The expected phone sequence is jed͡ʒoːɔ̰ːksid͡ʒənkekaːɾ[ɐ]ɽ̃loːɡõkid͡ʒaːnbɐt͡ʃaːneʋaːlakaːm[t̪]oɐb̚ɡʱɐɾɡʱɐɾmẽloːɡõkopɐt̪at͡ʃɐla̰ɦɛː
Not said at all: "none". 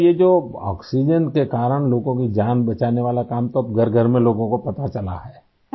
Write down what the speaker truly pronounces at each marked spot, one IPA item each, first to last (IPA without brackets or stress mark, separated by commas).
ə, t̪